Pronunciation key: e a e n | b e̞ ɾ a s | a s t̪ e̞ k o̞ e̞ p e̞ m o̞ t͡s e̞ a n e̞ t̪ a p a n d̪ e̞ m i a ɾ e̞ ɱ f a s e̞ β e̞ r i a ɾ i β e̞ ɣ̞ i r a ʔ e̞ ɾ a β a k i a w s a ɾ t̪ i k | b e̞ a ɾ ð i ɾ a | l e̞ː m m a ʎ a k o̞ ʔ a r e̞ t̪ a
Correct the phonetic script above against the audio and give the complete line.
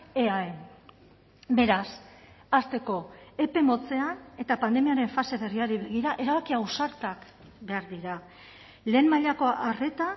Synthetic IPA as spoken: e a e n | b e̞ ɾ a s | a s t̪ e̞ k o̞ e̞ p e̞ m o̞ t͡s e̞ a n e̞ t̪ a p a n d̪ e̞ m i a ɾ e̞ ɱ f a s e̞ β e̞ r i a ɾ i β e̞ ɣ̞ i ɾ a ʔ e̞ ɾ a β a k i a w s a ɾ t̪ a k | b e̞ a ɾ ð i ɾ a | l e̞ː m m a ʎ a k o̞ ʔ a r e̞ t̪ a